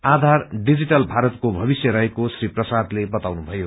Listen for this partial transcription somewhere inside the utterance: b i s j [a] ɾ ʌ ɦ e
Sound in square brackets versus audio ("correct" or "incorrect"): incorrect